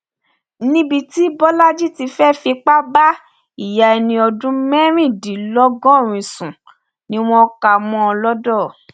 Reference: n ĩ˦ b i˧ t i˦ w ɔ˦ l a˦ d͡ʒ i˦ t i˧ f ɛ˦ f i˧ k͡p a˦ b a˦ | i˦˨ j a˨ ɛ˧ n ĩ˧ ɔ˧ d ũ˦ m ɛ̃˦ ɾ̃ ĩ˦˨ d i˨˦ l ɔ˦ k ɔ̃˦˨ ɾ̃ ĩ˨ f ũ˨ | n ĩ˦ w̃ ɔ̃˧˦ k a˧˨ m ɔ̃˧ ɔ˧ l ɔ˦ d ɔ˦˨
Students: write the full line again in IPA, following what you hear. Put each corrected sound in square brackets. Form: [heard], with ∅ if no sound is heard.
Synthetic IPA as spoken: n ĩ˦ b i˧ t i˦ [b] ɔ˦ l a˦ d͡ʒ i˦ t i˧ f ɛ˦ f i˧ k͡p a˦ b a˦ | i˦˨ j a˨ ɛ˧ n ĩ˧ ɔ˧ d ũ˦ m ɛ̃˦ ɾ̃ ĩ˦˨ d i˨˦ l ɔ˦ [ɡ] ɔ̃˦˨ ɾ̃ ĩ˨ [s] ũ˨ | n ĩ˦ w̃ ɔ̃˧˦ k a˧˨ m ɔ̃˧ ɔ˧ l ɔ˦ d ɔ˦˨